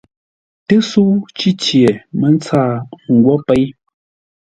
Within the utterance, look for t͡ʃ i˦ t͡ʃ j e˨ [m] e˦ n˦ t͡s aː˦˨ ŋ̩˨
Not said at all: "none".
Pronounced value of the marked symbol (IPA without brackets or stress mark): m